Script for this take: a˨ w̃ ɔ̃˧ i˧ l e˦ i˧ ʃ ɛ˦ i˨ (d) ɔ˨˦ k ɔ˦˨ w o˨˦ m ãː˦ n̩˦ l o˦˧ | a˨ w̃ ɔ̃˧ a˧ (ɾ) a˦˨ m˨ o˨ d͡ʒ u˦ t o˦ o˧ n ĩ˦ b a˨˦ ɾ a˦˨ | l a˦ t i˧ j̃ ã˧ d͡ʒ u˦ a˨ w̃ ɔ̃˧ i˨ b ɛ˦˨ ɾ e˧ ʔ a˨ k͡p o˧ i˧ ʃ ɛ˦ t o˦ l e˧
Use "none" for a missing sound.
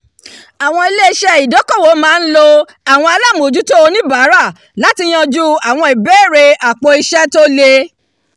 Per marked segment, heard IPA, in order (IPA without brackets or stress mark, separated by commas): d, l